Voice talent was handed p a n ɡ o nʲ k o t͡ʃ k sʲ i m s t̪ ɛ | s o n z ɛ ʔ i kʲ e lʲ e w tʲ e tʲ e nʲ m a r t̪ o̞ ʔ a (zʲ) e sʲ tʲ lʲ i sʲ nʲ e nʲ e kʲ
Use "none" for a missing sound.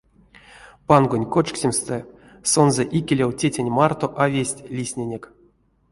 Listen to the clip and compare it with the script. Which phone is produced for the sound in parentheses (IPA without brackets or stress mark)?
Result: vʲ